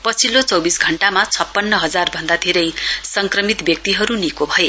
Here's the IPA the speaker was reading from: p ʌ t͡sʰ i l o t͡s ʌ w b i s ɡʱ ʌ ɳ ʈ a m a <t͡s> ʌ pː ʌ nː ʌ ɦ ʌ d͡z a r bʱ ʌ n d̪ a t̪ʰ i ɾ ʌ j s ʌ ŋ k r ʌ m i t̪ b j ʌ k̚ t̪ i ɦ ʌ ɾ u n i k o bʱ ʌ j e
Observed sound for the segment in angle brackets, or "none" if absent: t͡sʰ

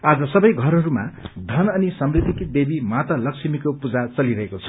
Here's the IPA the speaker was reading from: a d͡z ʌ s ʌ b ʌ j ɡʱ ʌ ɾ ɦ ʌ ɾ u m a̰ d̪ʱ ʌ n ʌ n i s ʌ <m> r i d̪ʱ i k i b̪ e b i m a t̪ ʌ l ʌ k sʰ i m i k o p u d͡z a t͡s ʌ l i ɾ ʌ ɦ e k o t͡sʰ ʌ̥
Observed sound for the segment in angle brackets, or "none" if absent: m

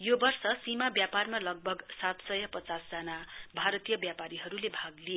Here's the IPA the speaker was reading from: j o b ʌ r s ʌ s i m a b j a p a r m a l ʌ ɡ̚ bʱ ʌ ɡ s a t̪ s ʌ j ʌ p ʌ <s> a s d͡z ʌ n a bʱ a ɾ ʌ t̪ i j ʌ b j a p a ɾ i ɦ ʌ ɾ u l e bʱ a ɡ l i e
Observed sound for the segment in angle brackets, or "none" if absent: t͡s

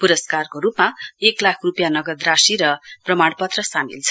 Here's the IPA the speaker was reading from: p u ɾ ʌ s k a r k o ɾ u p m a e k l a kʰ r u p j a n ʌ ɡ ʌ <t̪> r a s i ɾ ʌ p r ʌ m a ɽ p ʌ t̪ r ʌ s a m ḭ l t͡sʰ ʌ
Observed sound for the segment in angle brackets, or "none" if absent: d̪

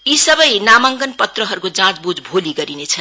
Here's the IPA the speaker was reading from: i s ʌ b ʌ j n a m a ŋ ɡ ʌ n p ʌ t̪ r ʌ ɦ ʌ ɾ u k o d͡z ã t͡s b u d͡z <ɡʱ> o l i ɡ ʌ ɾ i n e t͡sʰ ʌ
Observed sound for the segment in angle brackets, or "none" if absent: bʱ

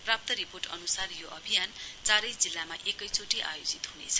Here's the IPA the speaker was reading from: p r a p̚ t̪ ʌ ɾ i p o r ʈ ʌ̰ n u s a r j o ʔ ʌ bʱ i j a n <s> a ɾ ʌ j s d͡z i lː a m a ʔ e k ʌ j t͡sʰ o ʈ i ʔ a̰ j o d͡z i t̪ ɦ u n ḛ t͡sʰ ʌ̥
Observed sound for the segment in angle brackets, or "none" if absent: t͡s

